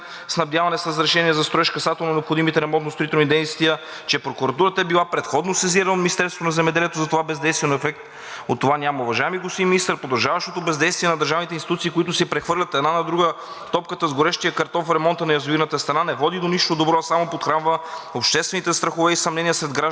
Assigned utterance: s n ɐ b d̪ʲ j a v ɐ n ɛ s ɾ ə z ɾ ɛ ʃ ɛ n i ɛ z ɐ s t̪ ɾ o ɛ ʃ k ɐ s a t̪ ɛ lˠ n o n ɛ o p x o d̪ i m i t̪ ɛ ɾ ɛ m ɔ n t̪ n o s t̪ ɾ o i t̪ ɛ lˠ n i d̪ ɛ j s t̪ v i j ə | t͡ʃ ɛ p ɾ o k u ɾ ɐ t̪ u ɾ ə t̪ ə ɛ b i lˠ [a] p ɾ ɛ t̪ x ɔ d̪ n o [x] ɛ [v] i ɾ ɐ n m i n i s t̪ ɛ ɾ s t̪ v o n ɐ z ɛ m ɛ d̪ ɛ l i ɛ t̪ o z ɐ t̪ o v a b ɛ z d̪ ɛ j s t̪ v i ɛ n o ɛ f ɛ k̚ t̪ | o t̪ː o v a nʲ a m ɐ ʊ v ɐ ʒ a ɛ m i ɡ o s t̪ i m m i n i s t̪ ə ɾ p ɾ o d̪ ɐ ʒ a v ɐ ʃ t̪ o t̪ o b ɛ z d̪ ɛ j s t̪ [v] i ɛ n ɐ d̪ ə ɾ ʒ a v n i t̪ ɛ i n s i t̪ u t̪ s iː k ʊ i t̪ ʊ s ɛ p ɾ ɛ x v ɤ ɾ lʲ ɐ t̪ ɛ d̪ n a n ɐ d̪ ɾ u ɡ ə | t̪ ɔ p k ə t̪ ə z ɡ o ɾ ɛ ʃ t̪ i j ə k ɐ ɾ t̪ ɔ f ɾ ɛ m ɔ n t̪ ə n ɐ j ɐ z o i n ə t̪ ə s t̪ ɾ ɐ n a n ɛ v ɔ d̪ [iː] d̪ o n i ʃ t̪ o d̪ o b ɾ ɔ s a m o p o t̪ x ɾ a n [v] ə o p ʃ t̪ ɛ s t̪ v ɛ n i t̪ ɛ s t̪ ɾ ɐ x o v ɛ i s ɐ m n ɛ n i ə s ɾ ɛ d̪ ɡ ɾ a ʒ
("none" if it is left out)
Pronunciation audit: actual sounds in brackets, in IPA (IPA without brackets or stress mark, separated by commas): a, s, z, v, i, v